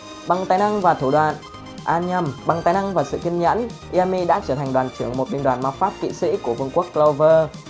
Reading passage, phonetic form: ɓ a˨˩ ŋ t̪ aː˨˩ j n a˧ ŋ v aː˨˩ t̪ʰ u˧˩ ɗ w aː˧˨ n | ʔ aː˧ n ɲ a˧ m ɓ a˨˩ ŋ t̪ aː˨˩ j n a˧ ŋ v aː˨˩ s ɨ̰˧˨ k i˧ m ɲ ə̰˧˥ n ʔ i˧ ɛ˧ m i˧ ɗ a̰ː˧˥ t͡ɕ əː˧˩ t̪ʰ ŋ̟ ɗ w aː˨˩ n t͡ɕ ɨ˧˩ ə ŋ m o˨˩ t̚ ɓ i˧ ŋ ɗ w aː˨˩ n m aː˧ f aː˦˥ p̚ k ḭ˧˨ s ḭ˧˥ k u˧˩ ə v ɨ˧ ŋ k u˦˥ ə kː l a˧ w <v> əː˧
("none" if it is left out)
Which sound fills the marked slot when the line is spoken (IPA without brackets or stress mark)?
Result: v